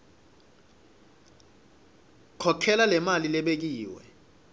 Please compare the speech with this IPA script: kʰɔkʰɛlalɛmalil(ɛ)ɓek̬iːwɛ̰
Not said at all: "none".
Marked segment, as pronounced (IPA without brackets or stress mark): ɛ